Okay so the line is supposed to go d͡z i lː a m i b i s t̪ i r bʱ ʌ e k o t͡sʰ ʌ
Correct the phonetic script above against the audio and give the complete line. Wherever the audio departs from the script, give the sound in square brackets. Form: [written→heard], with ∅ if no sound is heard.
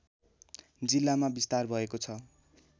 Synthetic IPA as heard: d͡z i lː a m [i→a] b i s t̪ [i→a] r bʱ ʌ e k o t͡sʰ ʌ